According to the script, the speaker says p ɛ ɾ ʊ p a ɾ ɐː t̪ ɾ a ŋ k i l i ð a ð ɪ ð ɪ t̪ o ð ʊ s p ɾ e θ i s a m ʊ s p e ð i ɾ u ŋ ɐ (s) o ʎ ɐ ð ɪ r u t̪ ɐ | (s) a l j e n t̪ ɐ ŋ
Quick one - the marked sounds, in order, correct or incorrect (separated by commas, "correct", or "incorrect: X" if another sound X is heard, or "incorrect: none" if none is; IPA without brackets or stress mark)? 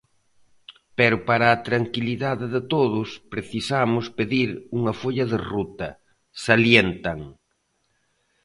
incorrect: f, correct